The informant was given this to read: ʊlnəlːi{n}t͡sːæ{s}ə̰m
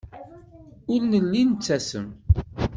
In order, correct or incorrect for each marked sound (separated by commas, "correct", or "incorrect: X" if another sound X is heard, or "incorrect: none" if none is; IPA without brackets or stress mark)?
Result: correct, correct